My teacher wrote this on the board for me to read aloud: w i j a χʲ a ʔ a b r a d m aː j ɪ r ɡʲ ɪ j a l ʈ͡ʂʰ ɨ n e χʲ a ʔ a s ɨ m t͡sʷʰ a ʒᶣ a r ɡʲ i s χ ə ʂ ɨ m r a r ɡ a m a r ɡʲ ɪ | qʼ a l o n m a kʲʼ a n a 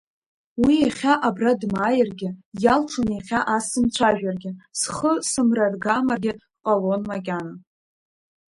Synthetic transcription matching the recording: w i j a χʲ a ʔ a b r a d m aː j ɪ r ɡʲ ɪ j a l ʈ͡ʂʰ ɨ n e χʲ a ʔ a s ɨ m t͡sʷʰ a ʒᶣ a r ɡʲ ɪ s χ ə s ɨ m r a r ɡ a m a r ɡʲ ɪ | qʼ a l o n m a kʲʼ a n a